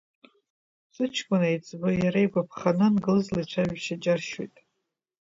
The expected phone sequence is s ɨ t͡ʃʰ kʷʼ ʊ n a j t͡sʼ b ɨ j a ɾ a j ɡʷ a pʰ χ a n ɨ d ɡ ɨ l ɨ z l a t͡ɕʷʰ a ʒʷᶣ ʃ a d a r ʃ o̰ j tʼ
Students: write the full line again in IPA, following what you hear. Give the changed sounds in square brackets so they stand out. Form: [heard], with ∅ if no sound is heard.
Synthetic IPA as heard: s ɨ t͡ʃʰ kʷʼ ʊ n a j t͡sʼ b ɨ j a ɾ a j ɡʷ a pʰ χ a n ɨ [n] ɡ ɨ l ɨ z l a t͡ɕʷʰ a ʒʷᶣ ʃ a [d͡ʒ] a r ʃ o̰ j tʼ